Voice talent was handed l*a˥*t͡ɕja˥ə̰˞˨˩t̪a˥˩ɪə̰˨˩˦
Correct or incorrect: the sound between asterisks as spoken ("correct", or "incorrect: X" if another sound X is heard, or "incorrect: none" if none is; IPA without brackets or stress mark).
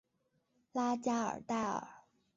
correct